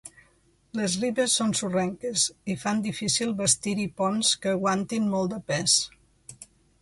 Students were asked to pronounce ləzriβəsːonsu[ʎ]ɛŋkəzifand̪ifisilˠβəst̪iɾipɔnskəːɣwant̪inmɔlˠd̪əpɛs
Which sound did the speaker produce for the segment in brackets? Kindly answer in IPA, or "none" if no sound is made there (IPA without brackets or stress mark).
r